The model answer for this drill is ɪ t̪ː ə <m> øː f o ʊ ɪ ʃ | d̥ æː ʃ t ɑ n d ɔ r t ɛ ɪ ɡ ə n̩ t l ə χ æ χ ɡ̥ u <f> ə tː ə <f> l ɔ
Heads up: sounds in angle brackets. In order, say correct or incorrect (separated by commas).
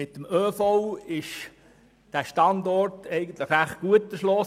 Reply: correct, incorrect, incorrect